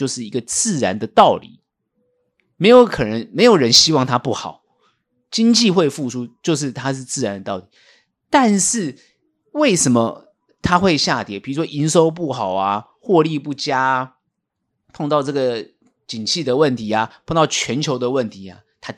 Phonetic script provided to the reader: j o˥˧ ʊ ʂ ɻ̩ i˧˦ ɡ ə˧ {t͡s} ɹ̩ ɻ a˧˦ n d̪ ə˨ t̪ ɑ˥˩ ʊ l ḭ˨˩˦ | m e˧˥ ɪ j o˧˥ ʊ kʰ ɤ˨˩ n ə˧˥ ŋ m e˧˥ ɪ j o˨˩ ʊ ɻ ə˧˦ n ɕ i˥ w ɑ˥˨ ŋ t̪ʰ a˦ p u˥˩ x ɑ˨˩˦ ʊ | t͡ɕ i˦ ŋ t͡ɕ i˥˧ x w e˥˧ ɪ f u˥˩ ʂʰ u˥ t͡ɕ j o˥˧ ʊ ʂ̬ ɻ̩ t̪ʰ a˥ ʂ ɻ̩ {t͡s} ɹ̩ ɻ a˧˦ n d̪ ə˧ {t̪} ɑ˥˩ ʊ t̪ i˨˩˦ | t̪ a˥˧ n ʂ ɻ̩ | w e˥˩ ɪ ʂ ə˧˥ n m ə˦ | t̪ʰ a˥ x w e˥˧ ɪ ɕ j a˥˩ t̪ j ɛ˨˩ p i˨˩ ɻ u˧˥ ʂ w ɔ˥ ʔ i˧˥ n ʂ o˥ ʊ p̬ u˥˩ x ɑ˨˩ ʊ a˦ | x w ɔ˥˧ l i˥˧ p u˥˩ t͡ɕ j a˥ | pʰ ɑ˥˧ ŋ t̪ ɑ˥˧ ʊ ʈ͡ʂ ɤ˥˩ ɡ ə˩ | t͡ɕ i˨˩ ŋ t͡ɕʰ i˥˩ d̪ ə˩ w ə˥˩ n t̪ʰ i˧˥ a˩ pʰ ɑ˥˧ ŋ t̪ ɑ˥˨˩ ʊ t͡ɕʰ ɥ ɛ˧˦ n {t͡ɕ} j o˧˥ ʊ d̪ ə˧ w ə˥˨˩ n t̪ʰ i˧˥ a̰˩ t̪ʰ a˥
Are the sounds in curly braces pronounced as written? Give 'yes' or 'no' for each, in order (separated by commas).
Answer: yes, yes, yes, no